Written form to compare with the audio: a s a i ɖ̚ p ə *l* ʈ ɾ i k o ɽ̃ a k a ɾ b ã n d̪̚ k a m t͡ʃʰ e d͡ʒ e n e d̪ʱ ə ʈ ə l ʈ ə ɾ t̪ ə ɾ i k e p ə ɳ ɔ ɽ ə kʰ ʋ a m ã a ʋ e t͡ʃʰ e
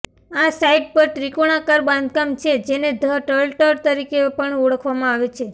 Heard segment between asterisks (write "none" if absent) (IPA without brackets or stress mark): ɾ